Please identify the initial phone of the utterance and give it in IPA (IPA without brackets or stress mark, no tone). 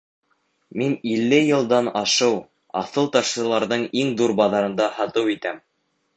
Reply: m